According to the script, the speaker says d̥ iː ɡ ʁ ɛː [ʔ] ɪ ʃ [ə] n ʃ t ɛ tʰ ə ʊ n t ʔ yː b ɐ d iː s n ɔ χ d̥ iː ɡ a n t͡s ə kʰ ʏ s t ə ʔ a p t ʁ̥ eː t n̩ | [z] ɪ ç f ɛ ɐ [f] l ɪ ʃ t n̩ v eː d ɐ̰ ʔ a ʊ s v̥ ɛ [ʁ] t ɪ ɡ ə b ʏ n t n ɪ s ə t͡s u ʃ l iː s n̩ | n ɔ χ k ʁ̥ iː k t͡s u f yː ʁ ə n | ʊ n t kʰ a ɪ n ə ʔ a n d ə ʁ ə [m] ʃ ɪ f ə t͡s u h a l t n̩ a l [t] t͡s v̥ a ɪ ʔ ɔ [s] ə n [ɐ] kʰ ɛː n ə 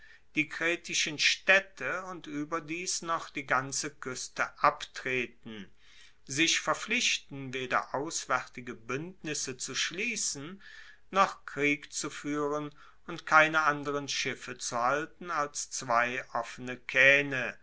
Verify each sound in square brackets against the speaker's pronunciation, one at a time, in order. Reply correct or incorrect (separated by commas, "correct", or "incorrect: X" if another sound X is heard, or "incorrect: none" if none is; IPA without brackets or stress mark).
incorrect: t, correct, correct, correct, correct, incorrect: n, incorrect: s, incorrect: f, incorrect: ə